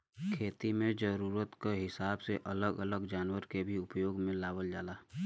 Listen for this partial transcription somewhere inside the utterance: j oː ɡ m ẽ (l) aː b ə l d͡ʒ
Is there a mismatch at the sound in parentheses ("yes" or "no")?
no